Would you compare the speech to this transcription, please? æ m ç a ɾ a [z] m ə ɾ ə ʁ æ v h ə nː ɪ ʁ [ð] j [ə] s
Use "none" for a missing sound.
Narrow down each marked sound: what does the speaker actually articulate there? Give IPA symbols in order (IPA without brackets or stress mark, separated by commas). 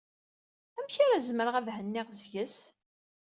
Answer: z, z, ə